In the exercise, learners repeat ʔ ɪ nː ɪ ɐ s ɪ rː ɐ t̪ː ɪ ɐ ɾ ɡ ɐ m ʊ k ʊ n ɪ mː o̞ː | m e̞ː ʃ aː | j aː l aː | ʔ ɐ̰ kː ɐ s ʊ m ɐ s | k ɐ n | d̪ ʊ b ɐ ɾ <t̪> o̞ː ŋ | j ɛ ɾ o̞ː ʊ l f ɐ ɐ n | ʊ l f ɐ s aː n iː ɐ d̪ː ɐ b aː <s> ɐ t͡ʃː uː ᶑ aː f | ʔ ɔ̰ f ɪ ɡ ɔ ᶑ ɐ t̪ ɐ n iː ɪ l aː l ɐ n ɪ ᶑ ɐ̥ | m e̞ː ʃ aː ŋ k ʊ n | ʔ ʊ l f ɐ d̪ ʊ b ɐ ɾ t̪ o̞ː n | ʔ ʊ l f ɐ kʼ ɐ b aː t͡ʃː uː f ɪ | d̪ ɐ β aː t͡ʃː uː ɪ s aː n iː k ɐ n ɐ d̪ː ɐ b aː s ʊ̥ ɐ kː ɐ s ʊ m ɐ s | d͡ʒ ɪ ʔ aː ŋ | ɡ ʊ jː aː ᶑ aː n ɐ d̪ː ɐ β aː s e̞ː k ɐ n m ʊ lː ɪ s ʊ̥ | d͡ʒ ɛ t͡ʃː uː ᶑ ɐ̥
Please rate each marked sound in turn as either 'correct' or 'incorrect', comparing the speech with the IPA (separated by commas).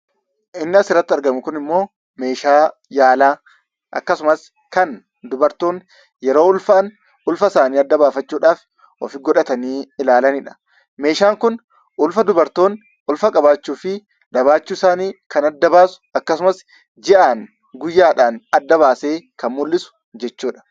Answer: correct, incorrect